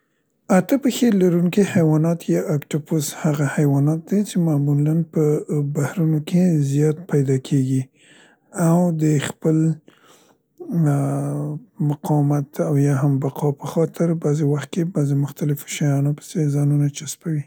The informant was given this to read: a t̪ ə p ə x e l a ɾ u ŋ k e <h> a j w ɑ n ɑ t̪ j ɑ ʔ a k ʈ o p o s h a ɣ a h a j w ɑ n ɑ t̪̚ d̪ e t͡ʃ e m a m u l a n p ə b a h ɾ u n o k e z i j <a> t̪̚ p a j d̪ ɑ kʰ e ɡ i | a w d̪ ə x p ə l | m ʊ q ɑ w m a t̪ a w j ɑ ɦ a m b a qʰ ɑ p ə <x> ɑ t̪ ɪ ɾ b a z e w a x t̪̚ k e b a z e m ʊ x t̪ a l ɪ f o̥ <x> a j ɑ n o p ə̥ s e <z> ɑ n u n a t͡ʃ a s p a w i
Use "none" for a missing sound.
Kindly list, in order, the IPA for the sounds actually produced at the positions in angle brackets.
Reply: h, ɑ, x, ʃ, z

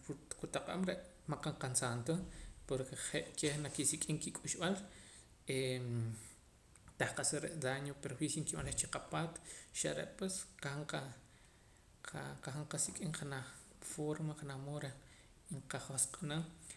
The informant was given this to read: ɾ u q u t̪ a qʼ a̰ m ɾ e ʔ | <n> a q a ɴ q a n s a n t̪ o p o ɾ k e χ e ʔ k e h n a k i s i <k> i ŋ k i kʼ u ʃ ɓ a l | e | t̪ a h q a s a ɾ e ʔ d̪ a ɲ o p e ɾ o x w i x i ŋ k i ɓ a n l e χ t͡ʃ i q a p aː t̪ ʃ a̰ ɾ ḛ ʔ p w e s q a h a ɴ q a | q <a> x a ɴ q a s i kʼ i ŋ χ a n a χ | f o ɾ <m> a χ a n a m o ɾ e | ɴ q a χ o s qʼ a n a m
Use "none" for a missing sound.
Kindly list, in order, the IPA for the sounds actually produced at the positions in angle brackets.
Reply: m, kʼ, a, m

